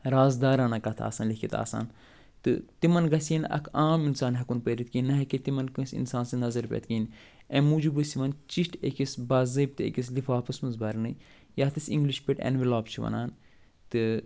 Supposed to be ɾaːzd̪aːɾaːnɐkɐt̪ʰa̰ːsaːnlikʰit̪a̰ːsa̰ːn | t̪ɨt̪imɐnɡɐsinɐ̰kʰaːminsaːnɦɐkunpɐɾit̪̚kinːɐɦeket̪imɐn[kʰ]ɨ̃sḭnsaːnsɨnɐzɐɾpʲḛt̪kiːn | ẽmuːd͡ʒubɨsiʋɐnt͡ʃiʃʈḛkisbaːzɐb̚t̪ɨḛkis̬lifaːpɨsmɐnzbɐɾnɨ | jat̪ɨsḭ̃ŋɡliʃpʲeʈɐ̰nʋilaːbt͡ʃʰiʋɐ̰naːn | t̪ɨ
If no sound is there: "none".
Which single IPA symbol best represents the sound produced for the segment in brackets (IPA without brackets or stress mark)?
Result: k